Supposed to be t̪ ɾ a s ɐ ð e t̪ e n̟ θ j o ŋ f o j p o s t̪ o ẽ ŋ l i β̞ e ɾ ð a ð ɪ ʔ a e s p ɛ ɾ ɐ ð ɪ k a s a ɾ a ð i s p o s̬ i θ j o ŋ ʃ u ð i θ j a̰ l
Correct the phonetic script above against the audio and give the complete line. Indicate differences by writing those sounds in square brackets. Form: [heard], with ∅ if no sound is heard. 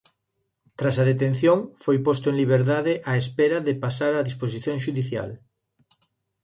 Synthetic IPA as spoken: t̪ ɾ a s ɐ ð e t̪ e n̟ θ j o ŋ f o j p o s t̪ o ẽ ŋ l i β̞ e ɾ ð a ð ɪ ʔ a e s p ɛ ɾ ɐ ð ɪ [p] a s a ɾ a ð i s p o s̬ i θ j o ŋ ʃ u ð i θ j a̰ l

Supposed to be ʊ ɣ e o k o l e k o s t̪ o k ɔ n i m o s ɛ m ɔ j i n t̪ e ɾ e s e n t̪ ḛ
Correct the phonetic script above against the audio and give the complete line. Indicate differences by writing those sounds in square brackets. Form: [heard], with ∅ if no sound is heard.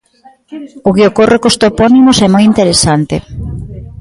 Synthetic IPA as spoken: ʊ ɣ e o k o [r] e k o s t̪ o [p] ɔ n i m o s ɛ m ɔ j i n t̪ e ɾ e s [a] n t̪ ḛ

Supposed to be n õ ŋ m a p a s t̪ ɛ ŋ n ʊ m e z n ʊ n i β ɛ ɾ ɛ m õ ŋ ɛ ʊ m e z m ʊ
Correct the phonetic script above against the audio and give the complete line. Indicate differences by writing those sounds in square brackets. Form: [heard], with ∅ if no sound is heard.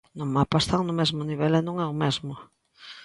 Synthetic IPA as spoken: n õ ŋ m a p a s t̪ [a] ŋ n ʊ m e z [m] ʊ n i β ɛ [l] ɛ [n] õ ŋ ɛ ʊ m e z m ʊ

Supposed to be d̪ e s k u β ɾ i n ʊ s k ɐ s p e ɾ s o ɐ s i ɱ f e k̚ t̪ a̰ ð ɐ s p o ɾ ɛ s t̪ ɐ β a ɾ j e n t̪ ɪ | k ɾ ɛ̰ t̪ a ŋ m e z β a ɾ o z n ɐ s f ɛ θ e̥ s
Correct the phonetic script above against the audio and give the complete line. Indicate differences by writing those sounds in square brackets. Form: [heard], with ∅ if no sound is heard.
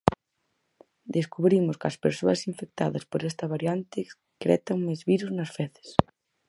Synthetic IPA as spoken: d̪ e s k u β ɾ i [m] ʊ s k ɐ s p e ɾ s o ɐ s i ɱ f e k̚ t̪ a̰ ð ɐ s p o ɾ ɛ s t̪ ɐ β a ɾ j [a] n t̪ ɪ | k ɾ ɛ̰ t̪ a ŋ m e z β [i] ɾ [u] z n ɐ s f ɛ θ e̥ s

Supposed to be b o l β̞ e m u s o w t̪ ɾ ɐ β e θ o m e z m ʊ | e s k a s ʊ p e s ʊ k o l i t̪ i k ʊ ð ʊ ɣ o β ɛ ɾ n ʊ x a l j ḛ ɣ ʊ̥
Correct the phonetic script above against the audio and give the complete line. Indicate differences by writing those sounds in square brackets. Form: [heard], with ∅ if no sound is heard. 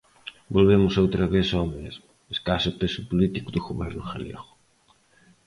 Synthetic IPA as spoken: b o l β̞ e m [ʊ] s o w t̪ ɾ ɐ β e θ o m e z m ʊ | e s k a s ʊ p e s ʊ [p] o l i t̪ i k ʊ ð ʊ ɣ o β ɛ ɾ n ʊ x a l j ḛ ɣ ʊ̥

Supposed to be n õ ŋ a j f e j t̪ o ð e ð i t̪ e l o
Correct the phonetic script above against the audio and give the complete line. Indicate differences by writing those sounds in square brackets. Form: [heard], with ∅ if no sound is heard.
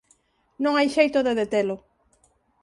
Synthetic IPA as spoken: n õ ŋ a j [ʃ] e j t̪ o ð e ð [e] t̪ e l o

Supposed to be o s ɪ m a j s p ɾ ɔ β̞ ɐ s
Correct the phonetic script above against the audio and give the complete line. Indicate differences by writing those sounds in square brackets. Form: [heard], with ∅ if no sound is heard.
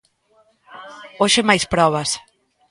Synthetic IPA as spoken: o [ʃ] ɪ m a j s p ɾ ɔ β̞ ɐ s

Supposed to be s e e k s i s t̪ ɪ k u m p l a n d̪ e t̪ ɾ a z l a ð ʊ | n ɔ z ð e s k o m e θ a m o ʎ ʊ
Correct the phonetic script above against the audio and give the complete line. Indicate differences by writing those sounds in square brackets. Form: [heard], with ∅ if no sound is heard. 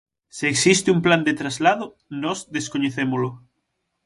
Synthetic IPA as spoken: s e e k s i s t̪ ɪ [∅] u m p l a n d̪ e t̪ ɾ a z l a ð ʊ | n ɔ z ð e s k o [ɲ] e θ [e] m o [l] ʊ

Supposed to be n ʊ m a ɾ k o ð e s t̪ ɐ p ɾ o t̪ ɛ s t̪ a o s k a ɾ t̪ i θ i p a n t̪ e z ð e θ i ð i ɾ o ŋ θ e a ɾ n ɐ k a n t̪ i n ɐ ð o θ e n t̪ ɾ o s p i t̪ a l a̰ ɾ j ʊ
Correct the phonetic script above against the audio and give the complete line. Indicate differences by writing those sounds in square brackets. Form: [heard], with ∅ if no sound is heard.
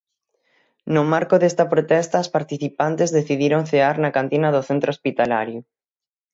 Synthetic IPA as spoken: n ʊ m a ɾ k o ð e s t̪ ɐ p ɾ o t̪ ɛ s t̪ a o s [p] a ɾ t̪ i θ i p a n t̪ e z ð e θ i ð i ɾ o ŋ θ e a ɾ n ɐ k a n t̪ i n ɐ ð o θ e n t̪ ɾ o s p i t̪ a l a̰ ɾ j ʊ

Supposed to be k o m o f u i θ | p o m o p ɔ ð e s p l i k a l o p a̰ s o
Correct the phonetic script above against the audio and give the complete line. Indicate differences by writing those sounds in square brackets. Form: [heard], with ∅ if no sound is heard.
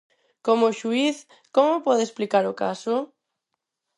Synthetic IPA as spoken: k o m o [ʃ] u i θ | [k] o m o p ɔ ð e s p l i k a [ɾ] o [k] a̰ s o

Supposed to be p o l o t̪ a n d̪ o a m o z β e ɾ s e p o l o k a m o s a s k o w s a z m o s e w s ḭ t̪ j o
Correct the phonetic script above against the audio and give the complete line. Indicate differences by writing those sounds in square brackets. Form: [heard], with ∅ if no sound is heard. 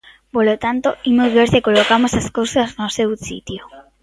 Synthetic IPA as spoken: p o l o t̪ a n [t̪] o [i] m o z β e ɾ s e [k] o l o k a m o s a s k o w s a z [n] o s e w s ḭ t̪ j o

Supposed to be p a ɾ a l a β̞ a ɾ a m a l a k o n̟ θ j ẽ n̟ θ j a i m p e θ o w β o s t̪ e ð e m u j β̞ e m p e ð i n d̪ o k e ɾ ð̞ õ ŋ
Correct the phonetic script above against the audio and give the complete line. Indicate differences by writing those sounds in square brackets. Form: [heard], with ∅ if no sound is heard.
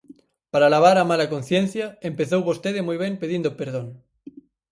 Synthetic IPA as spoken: p a ɾ a l a β̞ a ɾ a m a l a k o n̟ θ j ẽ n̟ θ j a [e] m p e θ o w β o s t̪ e ð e m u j β̞ e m p e ð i n d̪ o [p] e ɾ ð̞ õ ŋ

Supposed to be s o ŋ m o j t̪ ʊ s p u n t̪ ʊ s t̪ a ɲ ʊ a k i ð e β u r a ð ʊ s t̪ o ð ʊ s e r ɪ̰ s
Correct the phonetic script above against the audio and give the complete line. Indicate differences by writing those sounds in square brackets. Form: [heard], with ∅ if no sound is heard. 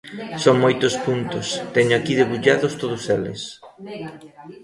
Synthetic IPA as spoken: s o ŋ m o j t̪ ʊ s p u n t̪ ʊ s t̪ [ɛ] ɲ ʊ a k i ð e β u [ʎ] a ð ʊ s t̪ o ð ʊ s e [l] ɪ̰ s

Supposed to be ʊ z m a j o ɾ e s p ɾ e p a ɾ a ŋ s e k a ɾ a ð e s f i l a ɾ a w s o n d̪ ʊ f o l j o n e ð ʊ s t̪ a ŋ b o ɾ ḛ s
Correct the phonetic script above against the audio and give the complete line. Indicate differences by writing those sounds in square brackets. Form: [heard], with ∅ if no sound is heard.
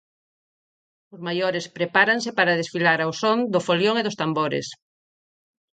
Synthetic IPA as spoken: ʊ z m a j o ɾ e s p ɾ e p a ɾ a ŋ s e [p] a ɾ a ð e s f i l a ɾ a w s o n d̪ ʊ f o l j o [ŋ] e ð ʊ s t̪ a [m] b o ɾ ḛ s

